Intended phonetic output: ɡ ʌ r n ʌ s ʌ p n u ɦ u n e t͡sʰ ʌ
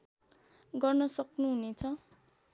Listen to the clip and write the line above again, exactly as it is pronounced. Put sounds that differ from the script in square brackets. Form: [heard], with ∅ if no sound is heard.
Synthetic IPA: ɡ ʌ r n ʌ s ʌ [k] n u ɦ u n e t͡sʰ ʌ